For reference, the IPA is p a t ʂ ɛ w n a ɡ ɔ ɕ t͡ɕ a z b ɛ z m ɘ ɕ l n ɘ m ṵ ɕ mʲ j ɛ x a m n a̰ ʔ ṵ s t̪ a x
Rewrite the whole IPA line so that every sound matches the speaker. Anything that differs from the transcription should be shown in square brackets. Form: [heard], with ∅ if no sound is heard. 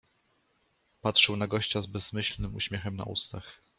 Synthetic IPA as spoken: p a t ʂ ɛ w n a ɡ ɔ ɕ t͡ɕ a z b ɛ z m ɘ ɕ l n ɘ m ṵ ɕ mʲ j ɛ x [ɛ] m n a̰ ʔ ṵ s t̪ a x